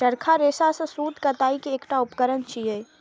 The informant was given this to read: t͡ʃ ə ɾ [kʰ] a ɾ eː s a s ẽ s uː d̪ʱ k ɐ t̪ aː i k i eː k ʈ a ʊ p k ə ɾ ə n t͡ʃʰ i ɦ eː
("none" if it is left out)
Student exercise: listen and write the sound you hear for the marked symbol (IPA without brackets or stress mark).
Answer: kʰ